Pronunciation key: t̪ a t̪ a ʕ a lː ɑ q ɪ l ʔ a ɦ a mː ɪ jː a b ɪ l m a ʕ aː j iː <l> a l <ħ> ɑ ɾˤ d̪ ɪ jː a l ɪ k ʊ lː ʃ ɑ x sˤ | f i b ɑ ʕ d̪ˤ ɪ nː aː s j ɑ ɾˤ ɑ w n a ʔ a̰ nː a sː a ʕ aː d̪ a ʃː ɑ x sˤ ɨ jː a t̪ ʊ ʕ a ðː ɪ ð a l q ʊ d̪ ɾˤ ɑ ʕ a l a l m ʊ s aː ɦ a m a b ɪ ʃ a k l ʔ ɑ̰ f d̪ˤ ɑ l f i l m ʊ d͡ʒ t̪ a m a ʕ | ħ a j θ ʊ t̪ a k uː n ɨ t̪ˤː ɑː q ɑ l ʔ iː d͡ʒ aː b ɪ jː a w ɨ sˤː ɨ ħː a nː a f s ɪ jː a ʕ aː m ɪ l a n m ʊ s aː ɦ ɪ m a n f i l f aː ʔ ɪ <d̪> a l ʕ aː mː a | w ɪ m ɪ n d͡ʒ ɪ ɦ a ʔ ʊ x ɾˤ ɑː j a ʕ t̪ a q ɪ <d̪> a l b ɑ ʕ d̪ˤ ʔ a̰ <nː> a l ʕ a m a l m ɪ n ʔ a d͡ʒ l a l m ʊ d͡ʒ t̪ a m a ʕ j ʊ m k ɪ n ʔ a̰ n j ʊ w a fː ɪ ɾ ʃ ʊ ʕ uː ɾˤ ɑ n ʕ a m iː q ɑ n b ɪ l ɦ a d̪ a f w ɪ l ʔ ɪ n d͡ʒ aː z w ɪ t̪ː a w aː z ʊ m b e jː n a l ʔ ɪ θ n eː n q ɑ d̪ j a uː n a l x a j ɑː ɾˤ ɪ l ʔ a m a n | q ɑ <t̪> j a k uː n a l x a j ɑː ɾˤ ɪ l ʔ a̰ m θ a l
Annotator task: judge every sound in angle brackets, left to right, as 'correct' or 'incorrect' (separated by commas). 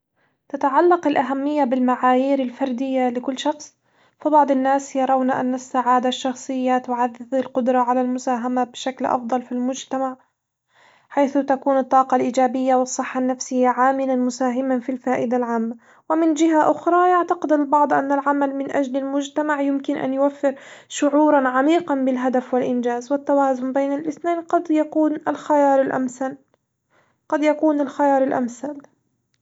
incorrect, incorrect, correct, correct, correct, incorrect